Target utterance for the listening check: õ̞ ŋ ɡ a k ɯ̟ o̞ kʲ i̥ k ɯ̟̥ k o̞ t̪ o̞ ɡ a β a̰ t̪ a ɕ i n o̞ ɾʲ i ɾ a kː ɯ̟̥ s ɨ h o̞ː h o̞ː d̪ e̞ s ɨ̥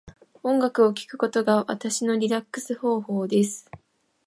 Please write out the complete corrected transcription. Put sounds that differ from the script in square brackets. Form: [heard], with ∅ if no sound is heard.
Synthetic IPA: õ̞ ŋ ɡ a k ɯ̟ o̞ kʲ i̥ k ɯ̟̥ k o̞ t̪ o̞ ɡ a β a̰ t̪ a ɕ i n o̞ ɾʲ i ɾ a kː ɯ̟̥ s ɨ h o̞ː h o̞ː d̪ e̞ s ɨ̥